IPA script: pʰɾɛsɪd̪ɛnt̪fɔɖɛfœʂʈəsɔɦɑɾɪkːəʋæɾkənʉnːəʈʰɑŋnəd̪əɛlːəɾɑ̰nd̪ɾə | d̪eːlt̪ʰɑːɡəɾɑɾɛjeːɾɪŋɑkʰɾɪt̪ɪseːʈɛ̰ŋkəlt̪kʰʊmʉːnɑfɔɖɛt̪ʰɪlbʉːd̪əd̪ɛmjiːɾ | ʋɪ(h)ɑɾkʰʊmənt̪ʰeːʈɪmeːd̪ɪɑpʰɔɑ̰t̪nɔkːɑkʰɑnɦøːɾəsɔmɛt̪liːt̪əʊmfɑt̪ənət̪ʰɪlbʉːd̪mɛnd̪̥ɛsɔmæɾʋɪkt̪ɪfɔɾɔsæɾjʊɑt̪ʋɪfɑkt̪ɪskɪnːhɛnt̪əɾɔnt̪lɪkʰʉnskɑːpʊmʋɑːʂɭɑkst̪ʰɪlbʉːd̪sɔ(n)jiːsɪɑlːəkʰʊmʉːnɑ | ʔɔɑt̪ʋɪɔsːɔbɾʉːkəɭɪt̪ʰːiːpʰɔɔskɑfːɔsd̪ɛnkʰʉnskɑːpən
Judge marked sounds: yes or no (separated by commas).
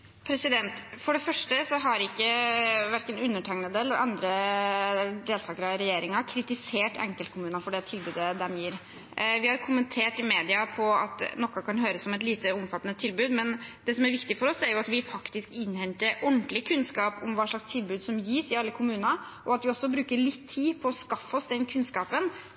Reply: yes, no